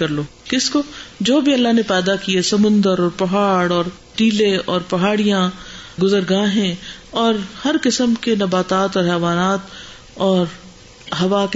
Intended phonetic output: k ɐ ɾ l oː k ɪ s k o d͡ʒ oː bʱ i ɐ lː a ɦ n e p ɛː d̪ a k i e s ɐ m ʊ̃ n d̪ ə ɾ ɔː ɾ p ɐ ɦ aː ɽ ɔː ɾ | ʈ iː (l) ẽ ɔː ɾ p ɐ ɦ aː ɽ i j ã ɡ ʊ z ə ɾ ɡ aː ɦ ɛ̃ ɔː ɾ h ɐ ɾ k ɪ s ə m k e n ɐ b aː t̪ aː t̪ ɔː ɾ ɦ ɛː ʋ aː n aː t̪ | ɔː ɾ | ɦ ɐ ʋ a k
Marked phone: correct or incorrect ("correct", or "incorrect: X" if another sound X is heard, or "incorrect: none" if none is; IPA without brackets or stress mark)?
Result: correct